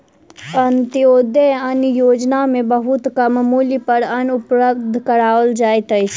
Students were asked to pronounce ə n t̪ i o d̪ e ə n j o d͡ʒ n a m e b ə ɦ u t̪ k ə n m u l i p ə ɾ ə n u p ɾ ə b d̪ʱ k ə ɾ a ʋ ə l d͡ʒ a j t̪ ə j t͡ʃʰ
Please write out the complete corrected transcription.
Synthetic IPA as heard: ə n t̪ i o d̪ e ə n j o d͡ʒ n a m e b ə ɦ u t̪ k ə m m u l i p ə ɾ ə n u p ɾ ə b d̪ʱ k ə ɾ a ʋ ə l d͡ʒ a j t̪ ə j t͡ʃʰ